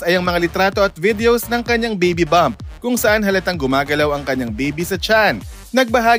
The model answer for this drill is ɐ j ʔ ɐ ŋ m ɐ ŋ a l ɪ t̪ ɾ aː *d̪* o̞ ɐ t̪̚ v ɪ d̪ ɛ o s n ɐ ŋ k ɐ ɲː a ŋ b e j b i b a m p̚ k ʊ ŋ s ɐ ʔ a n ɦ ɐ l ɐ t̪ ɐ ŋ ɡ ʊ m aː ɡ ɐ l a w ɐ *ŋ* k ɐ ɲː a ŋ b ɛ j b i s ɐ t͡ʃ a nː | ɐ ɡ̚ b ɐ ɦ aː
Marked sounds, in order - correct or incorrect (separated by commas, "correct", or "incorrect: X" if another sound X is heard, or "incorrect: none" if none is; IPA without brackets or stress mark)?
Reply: incorrect: t̪, correct